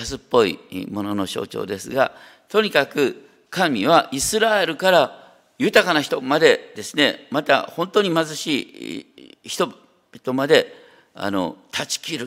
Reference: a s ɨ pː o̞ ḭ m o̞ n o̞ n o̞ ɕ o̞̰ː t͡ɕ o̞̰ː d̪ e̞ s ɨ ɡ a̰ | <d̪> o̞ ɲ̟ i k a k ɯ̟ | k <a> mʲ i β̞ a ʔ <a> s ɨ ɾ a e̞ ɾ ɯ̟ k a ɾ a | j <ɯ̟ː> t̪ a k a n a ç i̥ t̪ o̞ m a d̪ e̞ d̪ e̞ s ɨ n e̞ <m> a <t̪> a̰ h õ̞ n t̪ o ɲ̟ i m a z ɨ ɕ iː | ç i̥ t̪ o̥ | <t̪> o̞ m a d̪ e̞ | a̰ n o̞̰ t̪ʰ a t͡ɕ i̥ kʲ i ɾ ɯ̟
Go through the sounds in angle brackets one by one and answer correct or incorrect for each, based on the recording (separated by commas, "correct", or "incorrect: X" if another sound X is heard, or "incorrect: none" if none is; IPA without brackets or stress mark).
incorrect: t̪, correct, incorrect: i, incorrect: ɯ̟, correct, correct, correct